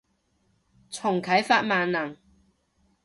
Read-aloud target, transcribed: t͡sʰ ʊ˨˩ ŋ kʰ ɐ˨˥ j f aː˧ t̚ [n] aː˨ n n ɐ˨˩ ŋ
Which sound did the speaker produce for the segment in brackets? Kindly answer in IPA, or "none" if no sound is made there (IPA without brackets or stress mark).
m